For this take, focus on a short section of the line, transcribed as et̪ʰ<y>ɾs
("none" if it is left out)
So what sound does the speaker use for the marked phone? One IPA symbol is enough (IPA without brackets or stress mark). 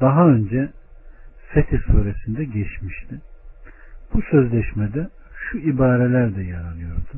i